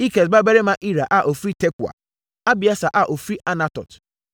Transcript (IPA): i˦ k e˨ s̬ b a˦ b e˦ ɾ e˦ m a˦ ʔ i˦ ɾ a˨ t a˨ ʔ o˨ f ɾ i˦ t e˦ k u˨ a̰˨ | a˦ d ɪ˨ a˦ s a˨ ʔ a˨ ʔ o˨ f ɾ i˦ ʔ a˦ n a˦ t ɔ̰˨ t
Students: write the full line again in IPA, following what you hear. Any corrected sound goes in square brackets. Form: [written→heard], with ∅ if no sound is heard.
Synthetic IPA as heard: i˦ k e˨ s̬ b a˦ b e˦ ɾ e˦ m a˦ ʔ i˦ ɾ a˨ [t→ʔ] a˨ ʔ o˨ f ɾ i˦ t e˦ k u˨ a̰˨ | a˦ [d→b] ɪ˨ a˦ s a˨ ʔ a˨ ʔ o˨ f ɾ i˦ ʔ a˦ n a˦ t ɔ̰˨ t